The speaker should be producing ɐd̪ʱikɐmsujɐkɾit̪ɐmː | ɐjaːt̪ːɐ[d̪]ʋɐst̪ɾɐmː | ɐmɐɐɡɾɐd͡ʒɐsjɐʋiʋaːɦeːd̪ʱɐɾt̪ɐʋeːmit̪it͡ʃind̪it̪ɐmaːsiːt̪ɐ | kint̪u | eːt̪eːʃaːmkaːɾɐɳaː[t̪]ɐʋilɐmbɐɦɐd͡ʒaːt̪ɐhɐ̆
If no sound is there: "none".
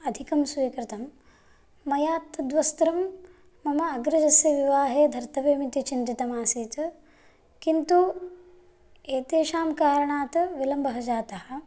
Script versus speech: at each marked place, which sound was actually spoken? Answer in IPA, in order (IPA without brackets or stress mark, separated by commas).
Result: d̪, t̪